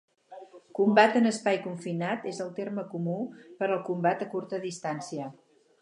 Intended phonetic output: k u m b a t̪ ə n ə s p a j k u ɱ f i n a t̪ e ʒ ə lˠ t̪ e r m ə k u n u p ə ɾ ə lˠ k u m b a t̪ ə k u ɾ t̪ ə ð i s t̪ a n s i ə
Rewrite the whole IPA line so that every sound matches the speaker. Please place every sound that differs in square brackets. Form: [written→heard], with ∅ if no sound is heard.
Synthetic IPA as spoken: k u m b a t̪ ə n ə s p a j k u ɱ f i n a t̪ e [ʒ→z] ə lˠ t̪ e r m ə k u [n→m] u p ə ɾ ə lˠ k u m b a t̪ ə k u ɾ t̪ ə ð i s t̪ a n s i ə